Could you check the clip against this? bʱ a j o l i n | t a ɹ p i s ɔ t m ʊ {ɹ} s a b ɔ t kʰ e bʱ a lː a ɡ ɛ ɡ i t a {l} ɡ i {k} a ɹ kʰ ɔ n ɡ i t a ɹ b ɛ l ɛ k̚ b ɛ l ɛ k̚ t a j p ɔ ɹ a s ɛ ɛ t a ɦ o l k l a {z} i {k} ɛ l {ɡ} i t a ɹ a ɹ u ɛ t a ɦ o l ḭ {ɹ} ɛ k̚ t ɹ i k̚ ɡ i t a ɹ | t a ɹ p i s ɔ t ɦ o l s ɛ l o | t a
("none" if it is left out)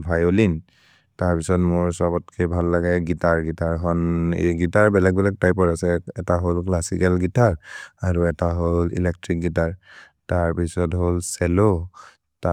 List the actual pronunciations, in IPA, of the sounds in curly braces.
ɹ, ɹ, t, s, k, ɡ, l

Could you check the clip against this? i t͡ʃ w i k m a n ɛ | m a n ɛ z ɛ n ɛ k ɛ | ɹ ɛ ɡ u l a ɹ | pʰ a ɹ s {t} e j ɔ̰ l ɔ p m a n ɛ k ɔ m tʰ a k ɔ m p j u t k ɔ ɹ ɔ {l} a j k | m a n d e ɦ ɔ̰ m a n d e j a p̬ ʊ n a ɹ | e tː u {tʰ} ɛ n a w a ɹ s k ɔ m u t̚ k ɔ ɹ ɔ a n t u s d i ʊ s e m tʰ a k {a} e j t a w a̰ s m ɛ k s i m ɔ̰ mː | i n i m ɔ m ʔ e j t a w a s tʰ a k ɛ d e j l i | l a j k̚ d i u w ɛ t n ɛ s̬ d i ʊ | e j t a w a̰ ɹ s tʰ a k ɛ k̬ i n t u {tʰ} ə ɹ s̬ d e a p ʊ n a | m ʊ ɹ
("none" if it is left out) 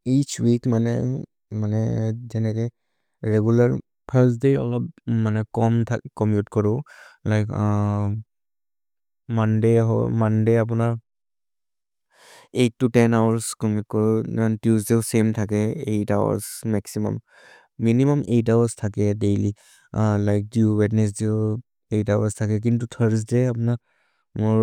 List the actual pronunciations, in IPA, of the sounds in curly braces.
d, l, t, ɛ, tʰ

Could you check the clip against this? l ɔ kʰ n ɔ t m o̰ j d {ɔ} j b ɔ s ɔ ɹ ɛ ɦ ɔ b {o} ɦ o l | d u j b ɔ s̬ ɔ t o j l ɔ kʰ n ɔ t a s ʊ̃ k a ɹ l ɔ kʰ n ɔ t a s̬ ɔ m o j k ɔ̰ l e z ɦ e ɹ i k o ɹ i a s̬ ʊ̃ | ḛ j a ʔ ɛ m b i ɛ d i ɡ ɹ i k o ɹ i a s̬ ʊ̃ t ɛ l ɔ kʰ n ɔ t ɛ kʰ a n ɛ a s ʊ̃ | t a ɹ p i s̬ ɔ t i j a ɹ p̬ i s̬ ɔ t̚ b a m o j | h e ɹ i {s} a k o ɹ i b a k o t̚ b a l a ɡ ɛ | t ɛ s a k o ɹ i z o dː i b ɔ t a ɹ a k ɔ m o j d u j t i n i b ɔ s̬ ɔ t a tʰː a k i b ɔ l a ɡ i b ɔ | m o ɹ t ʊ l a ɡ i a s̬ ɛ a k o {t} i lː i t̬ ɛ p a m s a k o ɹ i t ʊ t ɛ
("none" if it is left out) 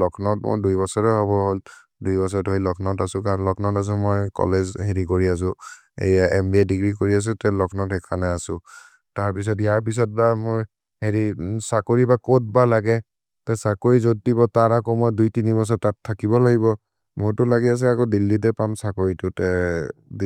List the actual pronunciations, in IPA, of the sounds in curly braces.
u, ɔ, s, d

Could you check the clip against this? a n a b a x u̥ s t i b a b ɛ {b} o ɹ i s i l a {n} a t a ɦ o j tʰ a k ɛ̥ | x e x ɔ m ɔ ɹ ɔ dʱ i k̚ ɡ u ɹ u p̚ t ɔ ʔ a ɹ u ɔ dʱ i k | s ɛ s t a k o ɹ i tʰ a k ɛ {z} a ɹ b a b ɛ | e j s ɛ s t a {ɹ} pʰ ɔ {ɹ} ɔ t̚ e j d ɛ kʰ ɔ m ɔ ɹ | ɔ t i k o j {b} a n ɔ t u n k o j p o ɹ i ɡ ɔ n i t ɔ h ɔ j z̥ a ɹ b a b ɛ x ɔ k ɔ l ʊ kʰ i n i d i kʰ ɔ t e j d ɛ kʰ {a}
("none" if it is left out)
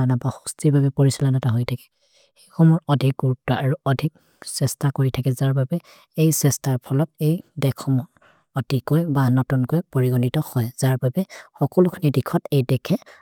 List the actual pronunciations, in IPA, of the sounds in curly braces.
p, n, z, ɹ, l, b, ɛ

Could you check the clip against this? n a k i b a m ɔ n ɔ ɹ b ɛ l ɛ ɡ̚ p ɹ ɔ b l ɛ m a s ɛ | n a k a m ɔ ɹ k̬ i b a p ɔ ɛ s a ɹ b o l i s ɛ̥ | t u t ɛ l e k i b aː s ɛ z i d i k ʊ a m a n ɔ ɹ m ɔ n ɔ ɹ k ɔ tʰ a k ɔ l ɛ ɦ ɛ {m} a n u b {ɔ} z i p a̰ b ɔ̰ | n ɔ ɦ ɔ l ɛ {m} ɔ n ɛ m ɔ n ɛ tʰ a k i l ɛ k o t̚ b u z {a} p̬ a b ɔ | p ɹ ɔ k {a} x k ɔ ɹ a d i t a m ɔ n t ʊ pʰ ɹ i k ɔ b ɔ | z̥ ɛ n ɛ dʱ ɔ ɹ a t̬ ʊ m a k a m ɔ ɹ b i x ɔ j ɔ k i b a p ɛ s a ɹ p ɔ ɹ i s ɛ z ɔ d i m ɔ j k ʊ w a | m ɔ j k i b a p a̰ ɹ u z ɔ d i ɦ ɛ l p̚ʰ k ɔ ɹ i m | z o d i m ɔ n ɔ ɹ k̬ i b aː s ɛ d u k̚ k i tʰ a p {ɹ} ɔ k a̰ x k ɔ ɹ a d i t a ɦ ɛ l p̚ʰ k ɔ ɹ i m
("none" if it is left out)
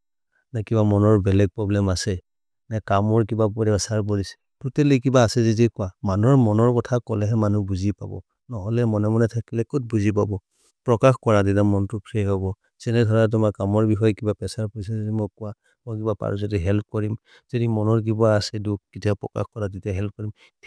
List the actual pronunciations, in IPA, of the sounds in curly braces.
m, u, m, i, a, ɹ

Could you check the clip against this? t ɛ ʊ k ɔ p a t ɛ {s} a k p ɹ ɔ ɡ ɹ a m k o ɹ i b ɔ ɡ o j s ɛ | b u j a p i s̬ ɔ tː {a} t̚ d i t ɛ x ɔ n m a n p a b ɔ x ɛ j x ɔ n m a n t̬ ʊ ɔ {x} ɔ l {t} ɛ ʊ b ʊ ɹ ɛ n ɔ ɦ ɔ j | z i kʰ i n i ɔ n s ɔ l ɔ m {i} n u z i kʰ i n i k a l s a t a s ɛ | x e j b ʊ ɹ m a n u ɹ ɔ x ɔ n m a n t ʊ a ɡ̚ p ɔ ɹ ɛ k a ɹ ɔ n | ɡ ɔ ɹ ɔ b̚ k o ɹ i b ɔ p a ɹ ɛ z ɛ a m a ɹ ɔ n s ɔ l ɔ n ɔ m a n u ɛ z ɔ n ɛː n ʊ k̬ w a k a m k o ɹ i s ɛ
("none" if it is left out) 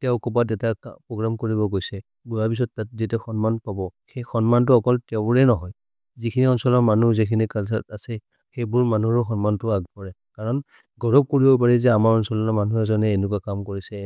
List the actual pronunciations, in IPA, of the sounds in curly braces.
t, a, k, t, a

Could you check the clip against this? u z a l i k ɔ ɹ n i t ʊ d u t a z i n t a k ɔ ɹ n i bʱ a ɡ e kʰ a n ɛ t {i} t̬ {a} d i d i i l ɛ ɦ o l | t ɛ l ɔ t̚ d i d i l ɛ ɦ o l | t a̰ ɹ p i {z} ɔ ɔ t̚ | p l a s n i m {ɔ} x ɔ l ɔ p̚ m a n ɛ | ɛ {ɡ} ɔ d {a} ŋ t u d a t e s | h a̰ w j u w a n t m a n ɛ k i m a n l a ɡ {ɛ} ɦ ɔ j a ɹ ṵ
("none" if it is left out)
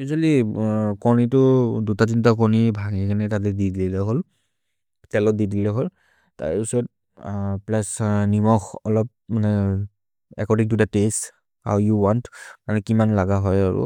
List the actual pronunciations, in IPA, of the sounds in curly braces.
a, ɛ, s, ɔ, k, i, a

